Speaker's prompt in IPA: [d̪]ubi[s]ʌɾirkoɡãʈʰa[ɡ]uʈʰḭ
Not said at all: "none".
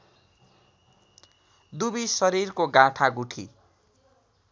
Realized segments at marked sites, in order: d̪, s, ɡ

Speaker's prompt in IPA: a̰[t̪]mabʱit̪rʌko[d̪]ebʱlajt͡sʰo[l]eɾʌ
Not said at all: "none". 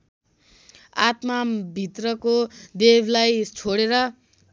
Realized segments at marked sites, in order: t̪, d̪, ɽ

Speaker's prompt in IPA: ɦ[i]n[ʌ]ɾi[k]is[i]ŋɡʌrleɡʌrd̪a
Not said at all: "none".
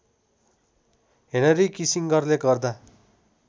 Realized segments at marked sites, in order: e, ʌ, k, i

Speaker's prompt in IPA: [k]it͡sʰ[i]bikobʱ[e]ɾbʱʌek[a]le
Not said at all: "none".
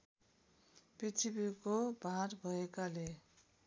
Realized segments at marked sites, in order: p, i, a, a

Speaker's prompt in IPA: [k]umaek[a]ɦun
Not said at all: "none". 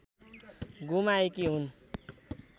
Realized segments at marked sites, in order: ɡ, i

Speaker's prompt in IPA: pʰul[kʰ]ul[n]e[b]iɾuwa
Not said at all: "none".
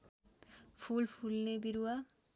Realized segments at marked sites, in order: pʰ, n, b

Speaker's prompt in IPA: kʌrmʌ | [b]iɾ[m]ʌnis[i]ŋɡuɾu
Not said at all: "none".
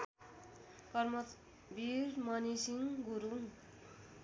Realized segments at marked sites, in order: b, m, i

